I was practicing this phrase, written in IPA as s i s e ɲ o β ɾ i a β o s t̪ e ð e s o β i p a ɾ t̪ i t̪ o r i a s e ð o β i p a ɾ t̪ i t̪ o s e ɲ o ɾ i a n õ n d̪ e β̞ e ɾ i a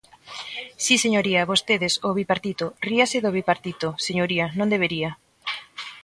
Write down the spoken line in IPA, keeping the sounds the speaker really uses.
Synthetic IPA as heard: s i s e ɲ o ɾ i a β o s t̪ e ð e s o β i p a ɾ t̪ i t̪ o r i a s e ð o β i p a ɾ t̪ i t̪ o s e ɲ o ɾ i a n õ n d̪ e β̞ e ɾ i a